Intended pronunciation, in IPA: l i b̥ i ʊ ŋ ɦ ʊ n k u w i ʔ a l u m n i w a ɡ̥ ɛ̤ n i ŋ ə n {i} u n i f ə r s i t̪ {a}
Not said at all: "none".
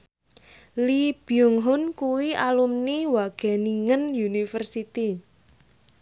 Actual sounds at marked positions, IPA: j, i

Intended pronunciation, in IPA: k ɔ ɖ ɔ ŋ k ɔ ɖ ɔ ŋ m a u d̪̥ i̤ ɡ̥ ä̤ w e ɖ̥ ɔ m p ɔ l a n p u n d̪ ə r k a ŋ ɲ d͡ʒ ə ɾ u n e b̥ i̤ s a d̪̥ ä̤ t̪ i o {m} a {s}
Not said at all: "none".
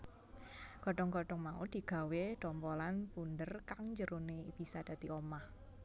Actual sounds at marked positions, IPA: m, h

